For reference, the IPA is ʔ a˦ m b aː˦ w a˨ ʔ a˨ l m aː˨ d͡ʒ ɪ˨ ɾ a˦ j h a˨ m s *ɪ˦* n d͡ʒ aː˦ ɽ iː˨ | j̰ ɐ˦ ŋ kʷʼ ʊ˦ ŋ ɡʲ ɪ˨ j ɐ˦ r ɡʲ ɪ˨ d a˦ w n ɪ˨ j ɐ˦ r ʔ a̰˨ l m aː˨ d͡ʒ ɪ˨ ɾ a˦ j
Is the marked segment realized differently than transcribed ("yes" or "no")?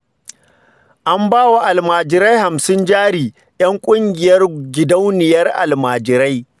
no